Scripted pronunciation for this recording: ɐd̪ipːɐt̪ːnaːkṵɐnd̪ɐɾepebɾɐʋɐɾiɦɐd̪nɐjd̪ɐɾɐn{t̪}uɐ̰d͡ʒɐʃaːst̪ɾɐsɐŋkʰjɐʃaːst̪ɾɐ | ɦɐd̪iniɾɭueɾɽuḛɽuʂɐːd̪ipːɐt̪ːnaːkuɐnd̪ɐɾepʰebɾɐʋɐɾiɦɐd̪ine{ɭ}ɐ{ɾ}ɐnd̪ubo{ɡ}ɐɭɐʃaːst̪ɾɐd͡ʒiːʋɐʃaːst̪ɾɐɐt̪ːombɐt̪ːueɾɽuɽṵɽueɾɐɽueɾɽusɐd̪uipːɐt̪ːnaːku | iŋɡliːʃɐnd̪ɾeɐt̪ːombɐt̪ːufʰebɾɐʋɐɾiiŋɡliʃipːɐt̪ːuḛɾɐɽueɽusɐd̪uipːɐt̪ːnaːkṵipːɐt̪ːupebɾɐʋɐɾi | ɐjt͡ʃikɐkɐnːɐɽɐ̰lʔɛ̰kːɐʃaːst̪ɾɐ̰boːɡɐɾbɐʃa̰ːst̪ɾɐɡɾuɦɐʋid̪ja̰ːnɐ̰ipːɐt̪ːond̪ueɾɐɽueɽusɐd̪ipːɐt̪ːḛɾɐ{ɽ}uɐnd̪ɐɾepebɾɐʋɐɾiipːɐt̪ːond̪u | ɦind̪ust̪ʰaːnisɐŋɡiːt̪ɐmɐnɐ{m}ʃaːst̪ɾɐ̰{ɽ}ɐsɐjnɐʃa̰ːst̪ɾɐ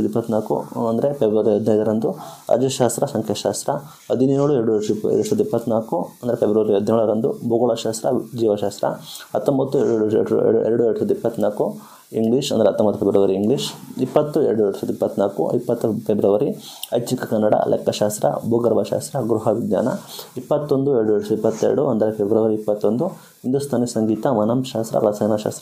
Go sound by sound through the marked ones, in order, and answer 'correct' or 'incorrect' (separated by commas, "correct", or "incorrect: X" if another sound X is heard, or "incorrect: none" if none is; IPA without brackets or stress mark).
incorrect: d̪, correct, correct, correct, correct, correct, incorrect: ɾ